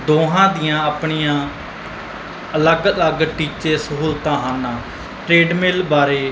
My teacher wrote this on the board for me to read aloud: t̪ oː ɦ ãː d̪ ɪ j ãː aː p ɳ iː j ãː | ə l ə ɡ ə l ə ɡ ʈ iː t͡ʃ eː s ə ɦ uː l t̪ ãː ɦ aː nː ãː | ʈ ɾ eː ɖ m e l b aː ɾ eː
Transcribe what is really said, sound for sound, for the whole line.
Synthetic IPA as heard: d̪ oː ɦ ãː d̪ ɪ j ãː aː p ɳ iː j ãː | ə l ə ɡ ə l ə ɡ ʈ iː t͡ʃ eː s ə ɦ uː l t̪ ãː ɦ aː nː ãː | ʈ ɾ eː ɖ m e l b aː ɾ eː